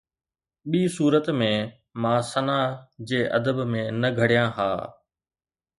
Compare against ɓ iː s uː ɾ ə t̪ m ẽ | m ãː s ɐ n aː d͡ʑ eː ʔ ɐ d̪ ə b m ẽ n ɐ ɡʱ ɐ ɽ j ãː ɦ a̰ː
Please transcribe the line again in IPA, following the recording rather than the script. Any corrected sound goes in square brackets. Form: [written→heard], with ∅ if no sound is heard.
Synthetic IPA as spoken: ɓ iː s uː ɾ ə t̪ m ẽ | m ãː s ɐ n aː d͡ʑ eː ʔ ɐ d̪ ə b m ẽ n ɐ ɡʱ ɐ ɽ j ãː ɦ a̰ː